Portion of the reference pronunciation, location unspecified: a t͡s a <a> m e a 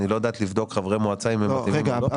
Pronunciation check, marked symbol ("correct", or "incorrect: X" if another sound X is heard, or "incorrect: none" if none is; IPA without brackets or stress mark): incorrect: i